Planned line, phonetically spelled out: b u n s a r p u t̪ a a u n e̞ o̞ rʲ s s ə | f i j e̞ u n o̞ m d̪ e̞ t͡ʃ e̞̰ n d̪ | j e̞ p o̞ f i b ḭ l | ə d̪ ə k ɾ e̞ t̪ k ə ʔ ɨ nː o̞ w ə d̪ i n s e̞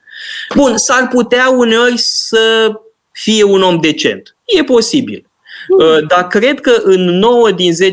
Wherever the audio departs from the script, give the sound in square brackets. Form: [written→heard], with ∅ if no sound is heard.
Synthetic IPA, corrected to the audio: b u n s a r p u t̪ [a→e] a u n e̞ o̞ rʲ s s ə | f i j e̞ u n o̞ m d̪ e̞ t͡ʃ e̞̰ n [d̪→t̪] | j e̞ p o̞ [f→s] i b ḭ l | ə d̪ [ə→a] k ɾ e̞ [t̪→d̪] k ə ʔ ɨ nː o̞ w ə d̪ i n [s→z] e̞